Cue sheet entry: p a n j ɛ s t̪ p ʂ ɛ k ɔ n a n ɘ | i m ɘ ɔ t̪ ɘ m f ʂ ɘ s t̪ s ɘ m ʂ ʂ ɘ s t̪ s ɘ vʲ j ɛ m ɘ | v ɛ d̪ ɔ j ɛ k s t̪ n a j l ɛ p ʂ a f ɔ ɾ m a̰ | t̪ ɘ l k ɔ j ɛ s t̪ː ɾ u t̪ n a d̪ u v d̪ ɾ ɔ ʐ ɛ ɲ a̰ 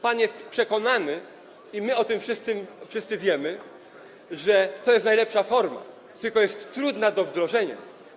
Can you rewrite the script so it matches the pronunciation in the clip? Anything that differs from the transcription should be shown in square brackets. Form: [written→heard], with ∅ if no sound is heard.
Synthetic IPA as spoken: p a n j ɛ s t̪ p ʂ ɛ k ɔ n a n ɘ | i m ɘ ɔ t̪ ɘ m f ʂ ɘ s t̪ s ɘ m [ʂ→f] ʂ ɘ s t̪ s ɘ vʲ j ɛ m ɘ | [v→ʐ] ɛ [d̪→t̪] ɔ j ɛ [k→∅] s t̪ n a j l ɛ p ʂ a f ɔ ɾ m a̰ | t̪ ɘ l k ɔ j ɛ s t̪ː ɾ u [t̪→d̪] n a d̪ [u→ɔ] v d̪ ɾ ɔ ʐ ɛ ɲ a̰